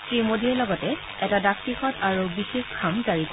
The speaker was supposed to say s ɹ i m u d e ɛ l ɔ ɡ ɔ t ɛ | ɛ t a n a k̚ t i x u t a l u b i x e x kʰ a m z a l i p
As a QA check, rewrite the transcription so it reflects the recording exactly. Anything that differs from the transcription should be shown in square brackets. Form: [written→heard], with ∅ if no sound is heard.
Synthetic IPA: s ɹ i m [u→o] d [e→i] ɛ l ɔ ɡ ɔ t ɛ | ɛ t a [n→d] a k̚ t i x [u→ɔ] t a [l→ɹ] u b i x e x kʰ a m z a [l→ɹ] i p

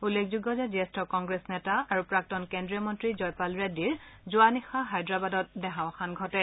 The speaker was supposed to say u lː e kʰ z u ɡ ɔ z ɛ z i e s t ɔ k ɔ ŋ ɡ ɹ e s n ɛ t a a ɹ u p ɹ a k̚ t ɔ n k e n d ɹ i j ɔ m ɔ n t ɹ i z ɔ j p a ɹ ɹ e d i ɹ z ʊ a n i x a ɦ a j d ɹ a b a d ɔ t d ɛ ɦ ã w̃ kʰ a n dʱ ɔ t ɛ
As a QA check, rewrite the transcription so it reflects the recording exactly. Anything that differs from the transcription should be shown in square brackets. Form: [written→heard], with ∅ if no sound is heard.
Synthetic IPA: u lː e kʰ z u ɡ ɔ z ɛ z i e s t ɔ k ɔ ŋ ɡ ɹ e s n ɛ t a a ɹ u p ɹ a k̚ t ɔ n k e n d ɹ i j ɔ m ɔ n t ɹ i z ɔ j p a [ɹ→l] ɹ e d i ɹ z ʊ a n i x a ɦ a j d ɹ a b a d ɔ t d ɛ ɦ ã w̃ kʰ a n [dʱ→ɡʱ] ɔ t ɛ

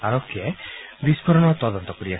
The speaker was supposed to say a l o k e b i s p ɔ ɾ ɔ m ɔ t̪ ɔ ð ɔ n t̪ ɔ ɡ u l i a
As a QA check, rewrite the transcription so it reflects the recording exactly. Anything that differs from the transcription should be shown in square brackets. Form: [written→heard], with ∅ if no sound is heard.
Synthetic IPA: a [l→ɾ] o k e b i s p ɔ ɾ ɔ [m→n] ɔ t̪ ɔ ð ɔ n t̪ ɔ [ɡ→k] u [l→ɾ] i a

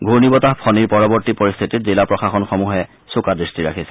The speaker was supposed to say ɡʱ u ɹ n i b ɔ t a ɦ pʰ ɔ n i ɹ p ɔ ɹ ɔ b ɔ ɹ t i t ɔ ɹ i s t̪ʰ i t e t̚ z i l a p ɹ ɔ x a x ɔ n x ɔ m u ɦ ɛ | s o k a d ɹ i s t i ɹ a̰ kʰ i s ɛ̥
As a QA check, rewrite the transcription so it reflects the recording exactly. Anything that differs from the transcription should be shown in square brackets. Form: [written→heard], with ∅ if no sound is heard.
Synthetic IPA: ɡʱ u ɹ n i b ɔ t a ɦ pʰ ɔ n i ɹ p ɔ ɹ ɔ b ɔ ɹ t i [t→p] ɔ ɹ i s t̪ʰ i t [e→i] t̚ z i l a p ɹ ɔ x a x ɔ n x ɔ m u ɦ ɛ | s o k a d ɹ i s t i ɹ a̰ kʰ i s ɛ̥

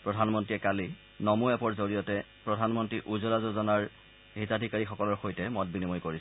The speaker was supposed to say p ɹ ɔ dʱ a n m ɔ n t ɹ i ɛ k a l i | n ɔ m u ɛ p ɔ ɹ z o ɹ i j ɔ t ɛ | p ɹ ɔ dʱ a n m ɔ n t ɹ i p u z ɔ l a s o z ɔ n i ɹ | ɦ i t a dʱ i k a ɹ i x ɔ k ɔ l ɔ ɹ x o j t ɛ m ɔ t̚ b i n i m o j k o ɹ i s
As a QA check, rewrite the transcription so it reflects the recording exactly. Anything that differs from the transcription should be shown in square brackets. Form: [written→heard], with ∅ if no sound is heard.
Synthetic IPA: p ɹ ɔ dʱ a n m ɔ n t ɹ i ɛ k a l i | n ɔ m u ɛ p ɔ ɹ z o ɹ i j ɔ t ɛ | p ɹ ɔ dʱ a n m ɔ n t ɹ i [p→ʔ] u z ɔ l a [s→z] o z ɔ n [i→a] ɹ | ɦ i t a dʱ i k a ɹ i x ɔ k ɔ l ɔ ɹ x o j t ɛ m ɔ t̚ b i n i m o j k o ɹ i s

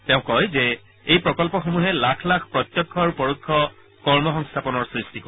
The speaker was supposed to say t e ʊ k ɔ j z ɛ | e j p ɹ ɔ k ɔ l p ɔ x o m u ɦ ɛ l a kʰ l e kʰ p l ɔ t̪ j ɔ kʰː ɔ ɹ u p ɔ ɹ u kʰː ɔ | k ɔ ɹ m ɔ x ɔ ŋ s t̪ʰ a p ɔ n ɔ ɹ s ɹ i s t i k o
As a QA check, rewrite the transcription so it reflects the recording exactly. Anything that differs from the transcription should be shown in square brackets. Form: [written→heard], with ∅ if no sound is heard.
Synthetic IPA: t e [ʊ→ʊ̃] k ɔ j z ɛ | e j p ɹ ɔ k ɔ l p ɔ x o m u ɦ ɛ l a kʰ l [e→a] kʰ p [l→ɹ] ɔ t̪ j ɔ kʰː ɔ ɹ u p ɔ ɹ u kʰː ɔ | k ɔ ɹ m ɔ x ɔ ŋ s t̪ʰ a p ɔ n ɔ ɹ s ɹ i s t i k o

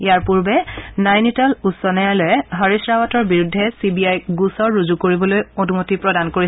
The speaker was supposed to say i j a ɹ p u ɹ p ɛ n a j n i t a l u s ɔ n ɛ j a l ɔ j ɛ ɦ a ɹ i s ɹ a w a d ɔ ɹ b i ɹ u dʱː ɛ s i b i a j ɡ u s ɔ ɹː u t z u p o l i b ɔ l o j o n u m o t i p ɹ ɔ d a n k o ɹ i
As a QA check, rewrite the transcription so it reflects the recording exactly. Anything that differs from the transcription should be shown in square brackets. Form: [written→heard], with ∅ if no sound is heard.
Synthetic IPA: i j a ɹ p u ɹ [p→b] ɛ n a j n i t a l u s ɔ n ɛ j a l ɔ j ɛ ɦ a ɹ i s ɹ a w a [d→t] ɔ ɹ b i ɹ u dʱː ɛ s i b i a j ɡ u s ɔ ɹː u [t→∅] z u [p→k] o [l→ɹ] i b ɔ l o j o n u m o t i p ɹ ɔ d a n k o ɹ i

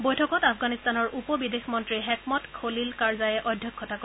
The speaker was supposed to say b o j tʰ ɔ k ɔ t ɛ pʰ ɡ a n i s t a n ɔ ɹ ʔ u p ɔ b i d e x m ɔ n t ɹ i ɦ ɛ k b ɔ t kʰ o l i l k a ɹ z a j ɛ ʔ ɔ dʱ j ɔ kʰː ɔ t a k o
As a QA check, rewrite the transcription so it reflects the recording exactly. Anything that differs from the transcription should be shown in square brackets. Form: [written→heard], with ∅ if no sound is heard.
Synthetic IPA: b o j tʰ ɔ k ɔ t [ɛ→a] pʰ ɡ a n i s t a n ɔ ɹ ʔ u p ɔ b i d e x m ɔ n t ɹ i ɦ ɛ k [b→m] ɔ t kʰ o l i l k a ɹ z a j ɛ ʔ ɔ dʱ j ɔ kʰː ɔ t a k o

